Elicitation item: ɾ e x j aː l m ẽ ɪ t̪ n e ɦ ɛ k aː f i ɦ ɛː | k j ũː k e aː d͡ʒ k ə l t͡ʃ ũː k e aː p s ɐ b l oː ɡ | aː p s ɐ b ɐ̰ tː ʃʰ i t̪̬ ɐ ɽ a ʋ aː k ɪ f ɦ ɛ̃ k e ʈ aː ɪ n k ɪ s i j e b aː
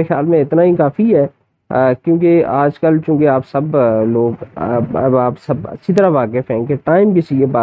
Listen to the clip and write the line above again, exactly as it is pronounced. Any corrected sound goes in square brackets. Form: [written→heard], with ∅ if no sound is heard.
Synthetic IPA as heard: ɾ e x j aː l m ẽ ɪ t̪ n [e→a] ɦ [ɛ→i] k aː f i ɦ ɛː | k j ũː k e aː d͡ʒ k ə l t͡ʃ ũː k e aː p s ɐ b l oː ɡ | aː p s ɐ b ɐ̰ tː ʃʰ i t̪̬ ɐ [ɽ→ɾ] a ʋ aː k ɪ f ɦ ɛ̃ k e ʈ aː ɪ [n→m] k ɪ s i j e b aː